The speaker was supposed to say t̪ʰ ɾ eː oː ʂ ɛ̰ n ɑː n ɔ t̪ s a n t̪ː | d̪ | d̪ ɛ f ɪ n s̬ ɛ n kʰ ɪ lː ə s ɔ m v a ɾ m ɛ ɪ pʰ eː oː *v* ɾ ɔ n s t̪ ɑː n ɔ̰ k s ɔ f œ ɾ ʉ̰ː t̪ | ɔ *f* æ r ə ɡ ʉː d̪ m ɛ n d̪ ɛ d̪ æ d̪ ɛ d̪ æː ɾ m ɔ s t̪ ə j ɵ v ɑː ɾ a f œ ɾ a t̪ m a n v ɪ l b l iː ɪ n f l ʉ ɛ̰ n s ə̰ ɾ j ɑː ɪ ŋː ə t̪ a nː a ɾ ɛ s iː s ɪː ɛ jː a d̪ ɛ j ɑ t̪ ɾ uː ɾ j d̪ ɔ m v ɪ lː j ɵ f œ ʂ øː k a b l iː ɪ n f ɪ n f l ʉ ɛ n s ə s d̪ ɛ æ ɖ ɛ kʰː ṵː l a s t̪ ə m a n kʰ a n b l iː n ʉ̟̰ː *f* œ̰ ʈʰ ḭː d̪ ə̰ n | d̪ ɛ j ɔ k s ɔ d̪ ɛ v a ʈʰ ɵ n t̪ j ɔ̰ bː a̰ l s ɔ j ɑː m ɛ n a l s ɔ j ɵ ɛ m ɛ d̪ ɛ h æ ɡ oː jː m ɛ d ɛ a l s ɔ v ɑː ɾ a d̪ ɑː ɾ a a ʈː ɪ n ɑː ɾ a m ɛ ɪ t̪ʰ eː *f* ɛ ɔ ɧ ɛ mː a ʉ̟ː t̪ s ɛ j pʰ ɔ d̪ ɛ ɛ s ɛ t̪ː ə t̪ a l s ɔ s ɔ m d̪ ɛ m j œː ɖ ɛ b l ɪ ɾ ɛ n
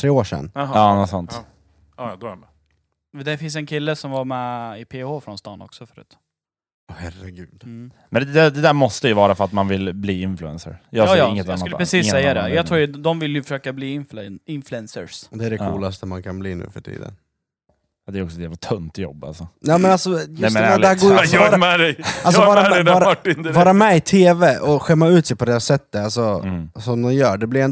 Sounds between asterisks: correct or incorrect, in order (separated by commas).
incorrect, incorrect, correct, incorrect